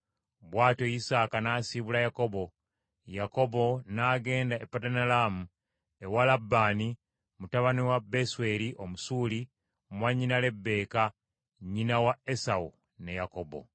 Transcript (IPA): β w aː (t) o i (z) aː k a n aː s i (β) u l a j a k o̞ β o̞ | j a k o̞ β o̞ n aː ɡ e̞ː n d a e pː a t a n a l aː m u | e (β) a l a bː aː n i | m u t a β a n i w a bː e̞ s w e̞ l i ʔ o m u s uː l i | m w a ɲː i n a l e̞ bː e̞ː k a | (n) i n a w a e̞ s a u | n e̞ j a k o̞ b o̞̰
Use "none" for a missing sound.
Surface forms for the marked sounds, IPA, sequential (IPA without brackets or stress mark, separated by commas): t, s, β, w, ɲ